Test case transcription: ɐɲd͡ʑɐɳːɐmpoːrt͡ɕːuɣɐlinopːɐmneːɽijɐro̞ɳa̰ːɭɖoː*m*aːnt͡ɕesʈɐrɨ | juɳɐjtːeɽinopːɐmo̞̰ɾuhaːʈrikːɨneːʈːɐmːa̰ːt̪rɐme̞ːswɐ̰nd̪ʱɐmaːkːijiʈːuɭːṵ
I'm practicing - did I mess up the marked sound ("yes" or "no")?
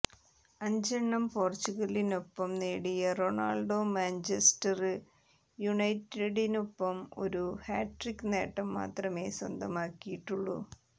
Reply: no